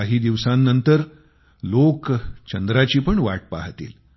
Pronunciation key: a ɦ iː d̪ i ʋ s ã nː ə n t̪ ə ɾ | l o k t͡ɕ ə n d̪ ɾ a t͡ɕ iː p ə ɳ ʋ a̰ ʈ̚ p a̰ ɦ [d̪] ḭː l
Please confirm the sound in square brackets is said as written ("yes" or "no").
no